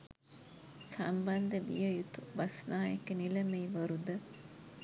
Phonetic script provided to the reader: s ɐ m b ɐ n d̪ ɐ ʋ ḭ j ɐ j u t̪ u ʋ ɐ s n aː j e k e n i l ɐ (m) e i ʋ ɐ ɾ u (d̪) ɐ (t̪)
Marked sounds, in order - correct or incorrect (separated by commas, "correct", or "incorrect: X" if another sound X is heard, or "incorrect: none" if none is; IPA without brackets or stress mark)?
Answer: correct, correct, incorrect: none